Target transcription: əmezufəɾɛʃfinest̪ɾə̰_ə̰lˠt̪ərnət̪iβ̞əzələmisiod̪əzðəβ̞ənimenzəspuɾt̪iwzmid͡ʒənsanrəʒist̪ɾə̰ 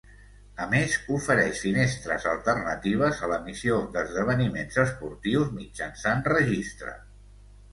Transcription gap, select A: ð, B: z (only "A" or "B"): B